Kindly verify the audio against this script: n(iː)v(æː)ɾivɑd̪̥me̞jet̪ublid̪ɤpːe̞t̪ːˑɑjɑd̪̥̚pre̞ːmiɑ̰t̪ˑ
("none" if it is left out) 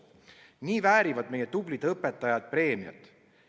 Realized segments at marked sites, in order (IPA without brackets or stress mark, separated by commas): iː, æː